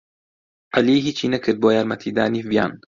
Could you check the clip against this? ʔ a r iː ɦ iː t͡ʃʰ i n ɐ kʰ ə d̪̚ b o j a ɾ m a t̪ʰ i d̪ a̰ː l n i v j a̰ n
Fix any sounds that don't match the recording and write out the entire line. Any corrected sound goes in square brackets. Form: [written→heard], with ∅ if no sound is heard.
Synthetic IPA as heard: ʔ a [r→l] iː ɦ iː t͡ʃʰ i n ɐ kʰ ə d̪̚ b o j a ɾ m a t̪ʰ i d̪ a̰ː [l→∅] n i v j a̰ n